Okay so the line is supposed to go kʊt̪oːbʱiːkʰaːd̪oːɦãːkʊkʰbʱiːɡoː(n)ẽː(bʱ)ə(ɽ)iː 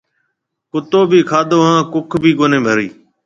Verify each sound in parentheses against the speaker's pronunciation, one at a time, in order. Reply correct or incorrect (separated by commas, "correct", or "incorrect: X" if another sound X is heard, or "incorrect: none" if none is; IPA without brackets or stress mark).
correct, correct, incorrect: ɾ